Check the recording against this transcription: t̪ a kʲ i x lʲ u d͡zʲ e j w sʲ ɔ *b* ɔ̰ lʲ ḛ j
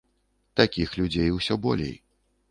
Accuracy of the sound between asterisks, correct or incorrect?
correct